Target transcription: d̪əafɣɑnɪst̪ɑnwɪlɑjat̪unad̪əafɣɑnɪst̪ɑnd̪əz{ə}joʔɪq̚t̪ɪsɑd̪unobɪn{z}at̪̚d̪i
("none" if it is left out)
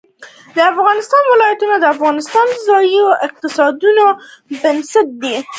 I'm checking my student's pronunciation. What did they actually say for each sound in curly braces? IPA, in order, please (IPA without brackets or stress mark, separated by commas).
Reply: ɑ, s